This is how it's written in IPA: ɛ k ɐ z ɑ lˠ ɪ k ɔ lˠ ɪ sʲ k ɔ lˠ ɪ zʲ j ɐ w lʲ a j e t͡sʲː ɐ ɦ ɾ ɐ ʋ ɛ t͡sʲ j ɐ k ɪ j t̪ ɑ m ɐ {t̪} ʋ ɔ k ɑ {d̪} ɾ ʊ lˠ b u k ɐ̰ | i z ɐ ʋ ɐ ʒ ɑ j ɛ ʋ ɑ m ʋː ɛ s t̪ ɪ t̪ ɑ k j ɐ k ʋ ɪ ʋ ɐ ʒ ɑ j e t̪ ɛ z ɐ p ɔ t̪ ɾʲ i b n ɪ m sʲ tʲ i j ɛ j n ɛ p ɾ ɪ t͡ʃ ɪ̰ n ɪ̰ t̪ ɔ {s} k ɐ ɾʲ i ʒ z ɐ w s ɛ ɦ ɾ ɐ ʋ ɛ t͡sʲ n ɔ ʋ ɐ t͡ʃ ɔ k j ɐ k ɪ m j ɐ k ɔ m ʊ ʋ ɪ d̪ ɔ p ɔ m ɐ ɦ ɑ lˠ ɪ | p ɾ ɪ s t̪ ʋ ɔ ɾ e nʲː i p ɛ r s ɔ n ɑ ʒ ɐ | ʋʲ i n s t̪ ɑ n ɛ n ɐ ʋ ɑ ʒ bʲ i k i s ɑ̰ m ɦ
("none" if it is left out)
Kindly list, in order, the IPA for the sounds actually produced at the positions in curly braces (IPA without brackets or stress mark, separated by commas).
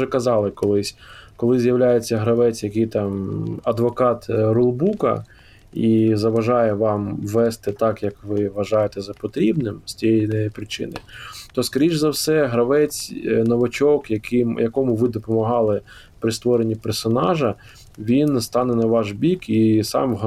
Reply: d̪, t̪, s